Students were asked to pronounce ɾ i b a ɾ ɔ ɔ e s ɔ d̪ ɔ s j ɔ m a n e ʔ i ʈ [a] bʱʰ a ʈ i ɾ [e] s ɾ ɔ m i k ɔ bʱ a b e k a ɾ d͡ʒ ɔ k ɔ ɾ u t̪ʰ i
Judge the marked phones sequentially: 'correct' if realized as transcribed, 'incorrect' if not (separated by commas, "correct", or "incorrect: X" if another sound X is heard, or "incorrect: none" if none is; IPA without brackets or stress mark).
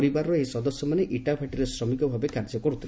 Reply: correct, correct